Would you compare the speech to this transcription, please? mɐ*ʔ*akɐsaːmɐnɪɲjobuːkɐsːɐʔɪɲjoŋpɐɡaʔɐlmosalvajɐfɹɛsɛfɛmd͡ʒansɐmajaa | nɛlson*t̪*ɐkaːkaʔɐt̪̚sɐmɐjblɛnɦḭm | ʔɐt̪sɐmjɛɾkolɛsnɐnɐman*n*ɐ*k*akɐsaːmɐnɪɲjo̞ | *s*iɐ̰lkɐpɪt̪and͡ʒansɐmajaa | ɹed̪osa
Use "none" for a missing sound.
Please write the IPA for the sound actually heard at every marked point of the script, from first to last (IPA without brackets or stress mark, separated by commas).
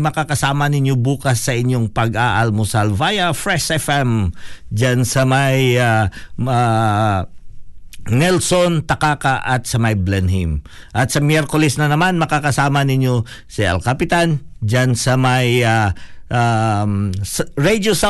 k, t̪, m, k, s